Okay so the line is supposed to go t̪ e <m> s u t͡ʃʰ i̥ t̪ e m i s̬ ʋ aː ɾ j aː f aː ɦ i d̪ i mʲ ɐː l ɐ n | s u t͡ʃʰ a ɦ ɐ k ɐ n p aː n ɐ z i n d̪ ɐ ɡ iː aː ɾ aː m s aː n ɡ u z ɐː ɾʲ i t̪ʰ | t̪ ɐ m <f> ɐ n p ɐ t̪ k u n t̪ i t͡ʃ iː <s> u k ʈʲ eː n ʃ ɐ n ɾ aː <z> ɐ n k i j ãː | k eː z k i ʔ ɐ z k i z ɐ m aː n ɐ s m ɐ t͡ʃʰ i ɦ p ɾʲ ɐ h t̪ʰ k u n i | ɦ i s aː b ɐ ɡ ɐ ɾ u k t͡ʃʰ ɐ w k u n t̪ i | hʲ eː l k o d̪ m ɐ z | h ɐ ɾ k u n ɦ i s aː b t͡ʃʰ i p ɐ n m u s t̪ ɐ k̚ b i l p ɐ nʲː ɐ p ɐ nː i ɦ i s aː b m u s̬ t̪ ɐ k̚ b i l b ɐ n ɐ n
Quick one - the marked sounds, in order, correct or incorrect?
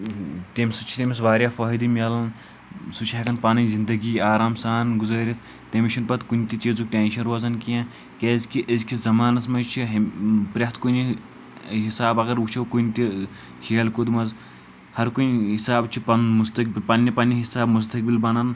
correct, incorrect, incorrect, correct

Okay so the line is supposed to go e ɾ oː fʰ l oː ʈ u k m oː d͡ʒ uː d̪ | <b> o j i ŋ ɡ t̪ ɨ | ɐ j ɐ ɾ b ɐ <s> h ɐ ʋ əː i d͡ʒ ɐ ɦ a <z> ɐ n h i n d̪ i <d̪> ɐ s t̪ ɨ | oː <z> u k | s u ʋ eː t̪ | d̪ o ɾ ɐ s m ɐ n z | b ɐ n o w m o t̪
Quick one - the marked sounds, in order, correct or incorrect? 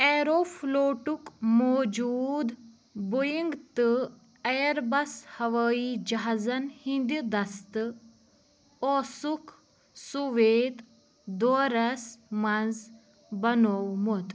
correct, correct, correct, correct, incorrect

